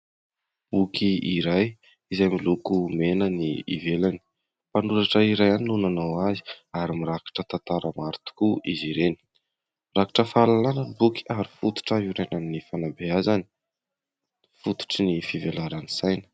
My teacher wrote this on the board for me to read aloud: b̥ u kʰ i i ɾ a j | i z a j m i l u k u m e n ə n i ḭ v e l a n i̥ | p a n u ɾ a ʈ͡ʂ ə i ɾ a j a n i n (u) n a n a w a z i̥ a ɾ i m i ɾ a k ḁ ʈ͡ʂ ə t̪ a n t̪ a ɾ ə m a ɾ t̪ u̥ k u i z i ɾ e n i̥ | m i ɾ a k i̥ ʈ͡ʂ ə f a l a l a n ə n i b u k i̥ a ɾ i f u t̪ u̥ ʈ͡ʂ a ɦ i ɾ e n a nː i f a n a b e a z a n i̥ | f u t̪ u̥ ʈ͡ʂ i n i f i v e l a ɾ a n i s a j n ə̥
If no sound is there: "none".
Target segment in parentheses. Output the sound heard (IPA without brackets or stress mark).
u